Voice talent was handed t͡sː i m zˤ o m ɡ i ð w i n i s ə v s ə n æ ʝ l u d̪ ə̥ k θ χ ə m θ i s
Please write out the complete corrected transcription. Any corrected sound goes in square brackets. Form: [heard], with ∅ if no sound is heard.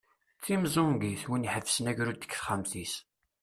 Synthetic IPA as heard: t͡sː i m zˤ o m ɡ i [θ] w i n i [ħ] ə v s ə n æ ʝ [ɾ] u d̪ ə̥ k θ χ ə m θ i s